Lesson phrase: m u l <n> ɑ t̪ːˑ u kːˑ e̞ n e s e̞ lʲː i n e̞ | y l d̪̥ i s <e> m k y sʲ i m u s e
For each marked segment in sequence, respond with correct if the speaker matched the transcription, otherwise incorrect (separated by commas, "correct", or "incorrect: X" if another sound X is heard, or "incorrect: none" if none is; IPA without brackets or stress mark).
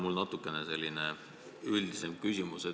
correct, correct